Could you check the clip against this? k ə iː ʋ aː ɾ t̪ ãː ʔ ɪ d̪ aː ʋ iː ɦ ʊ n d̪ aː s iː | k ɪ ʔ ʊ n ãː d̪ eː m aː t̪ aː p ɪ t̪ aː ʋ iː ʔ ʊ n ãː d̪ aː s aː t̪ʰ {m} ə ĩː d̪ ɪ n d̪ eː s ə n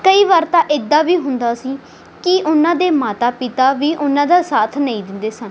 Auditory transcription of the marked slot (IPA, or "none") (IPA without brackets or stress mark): n